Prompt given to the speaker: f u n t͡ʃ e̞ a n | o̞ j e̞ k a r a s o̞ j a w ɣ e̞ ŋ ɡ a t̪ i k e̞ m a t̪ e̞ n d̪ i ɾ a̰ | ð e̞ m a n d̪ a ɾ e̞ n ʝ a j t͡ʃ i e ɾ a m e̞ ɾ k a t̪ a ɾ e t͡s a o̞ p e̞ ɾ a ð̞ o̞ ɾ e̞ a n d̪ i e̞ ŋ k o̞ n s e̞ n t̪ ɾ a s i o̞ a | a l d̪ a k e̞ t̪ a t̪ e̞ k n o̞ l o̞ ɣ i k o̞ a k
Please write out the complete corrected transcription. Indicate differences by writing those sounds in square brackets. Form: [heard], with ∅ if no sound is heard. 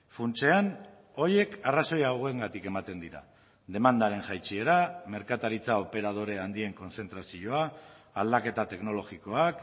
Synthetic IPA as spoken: f u n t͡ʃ e̞ a n | o̞ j e̞ k a r a s o̞ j a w ɣ e̞ ŋ ɡ a t̪ i k e̞ m a t̪ e̞ n d̪ i ɾ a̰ | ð e̞ m a n d̪ a ɾ e̞ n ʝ a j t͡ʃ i e ɾ a m e̞ ɾ k a t̪ a ɾ [i] t͡s a o̞ p e̞ ɾ a ð̞ o̞ ɾ e̞ a n d̪ i e̞ ŋ k o̞ n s e̞ n t̪ ɾ a s i o̞ a | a l d̪ a k e̞ t̪ a t̪ e̞ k n o̞ l o̞ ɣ i k o̞ a k